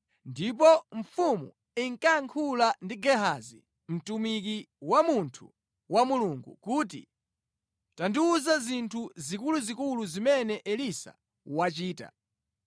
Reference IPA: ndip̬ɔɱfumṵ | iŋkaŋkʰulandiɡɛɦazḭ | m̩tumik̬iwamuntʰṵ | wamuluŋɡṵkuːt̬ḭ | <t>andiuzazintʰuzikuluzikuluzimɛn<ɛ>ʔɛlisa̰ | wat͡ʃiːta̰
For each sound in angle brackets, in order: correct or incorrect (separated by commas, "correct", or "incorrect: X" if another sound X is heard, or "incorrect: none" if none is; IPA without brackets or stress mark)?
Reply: correct, correct